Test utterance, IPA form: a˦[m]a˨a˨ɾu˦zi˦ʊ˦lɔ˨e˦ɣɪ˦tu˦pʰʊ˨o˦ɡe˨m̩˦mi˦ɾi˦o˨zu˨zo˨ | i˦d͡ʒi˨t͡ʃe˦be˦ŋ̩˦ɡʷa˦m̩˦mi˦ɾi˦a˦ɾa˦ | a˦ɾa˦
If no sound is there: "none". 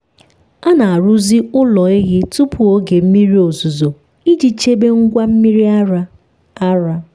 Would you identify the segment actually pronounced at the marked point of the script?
n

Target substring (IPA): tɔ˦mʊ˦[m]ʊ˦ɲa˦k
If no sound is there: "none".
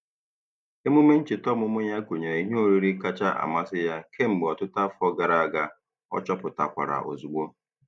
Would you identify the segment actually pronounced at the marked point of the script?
m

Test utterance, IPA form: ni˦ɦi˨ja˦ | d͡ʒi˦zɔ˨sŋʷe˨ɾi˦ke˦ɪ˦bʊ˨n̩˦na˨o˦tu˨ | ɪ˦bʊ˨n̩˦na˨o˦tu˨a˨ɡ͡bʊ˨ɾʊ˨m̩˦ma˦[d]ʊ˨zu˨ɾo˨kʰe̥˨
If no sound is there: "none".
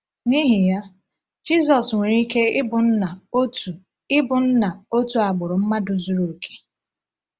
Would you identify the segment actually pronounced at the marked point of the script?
d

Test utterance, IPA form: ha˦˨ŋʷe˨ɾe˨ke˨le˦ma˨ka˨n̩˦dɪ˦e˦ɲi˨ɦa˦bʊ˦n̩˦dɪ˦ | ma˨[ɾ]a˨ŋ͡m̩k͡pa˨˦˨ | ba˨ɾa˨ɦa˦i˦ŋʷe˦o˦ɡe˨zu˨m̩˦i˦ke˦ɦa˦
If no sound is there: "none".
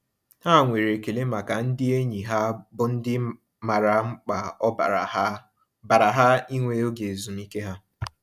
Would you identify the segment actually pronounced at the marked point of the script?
ɾ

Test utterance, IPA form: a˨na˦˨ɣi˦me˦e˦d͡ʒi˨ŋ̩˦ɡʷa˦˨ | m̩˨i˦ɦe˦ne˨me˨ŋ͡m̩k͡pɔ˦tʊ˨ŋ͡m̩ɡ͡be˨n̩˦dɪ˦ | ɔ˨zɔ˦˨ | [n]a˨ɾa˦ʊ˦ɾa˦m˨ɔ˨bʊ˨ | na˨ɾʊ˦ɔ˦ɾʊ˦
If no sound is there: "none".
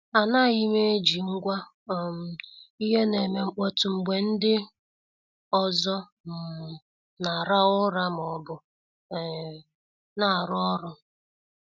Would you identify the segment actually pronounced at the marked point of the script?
n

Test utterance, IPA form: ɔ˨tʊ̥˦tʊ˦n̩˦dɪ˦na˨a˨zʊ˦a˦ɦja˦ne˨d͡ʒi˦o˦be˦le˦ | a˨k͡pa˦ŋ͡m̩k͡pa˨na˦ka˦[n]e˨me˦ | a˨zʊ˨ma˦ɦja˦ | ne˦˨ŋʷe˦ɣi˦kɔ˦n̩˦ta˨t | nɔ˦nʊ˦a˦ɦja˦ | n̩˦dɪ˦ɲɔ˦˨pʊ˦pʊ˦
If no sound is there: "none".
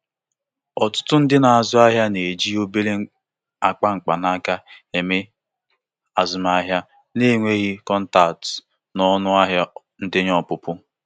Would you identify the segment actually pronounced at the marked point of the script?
none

